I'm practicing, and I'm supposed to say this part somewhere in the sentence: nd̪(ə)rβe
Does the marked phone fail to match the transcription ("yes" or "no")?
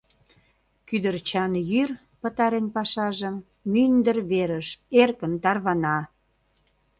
no